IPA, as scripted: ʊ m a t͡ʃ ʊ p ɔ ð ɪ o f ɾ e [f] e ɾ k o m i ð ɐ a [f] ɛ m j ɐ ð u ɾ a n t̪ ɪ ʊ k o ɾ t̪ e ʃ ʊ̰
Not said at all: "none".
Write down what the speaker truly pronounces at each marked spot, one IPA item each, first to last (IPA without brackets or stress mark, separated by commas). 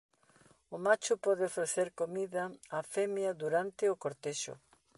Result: θ, f